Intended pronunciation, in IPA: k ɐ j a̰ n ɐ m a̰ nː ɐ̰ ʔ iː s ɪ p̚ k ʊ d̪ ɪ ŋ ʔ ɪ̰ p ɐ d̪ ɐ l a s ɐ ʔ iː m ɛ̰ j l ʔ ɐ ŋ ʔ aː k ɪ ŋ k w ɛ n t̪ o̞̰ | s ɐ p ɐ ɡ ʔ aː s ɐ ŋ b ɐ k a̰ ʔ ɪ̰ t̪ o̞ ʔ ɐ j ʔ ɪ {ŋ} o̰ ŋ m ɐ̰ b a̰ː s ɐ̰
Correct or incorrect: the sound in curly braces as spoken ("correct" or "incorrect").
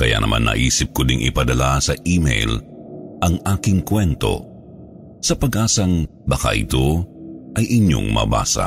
incorrect